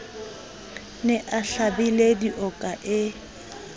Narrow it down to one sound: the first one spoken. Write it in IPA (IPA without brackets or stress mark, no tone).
n